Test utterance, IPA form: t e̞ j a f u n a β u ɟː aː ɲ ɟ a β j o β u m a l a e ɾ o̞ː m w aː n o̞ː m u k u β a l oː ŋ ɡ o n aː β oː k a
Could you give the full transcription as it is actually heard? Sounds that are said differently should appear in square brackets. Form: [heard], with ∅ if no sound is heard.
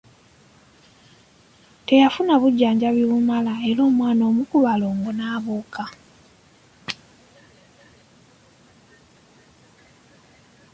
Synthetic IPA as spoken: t e̞ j a f u n a β u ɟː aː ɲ ɟ a β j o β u m a l a e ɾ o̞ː m w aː n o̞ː m u k u β a l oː ŋ ɡ o n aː β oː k a